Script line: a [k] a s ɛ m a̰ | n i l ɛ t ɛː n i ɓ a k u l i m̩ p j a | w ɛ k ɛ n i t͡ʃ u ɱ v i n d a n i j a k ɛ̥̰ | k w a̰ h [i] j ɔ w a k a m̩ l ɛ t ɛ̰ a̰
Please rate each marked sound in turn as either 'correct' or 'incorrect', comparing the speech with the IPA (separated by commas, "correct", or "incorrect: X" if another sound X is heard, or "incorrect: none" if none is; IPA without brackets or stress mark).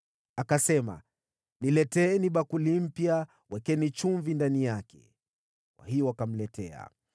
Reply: correct, correct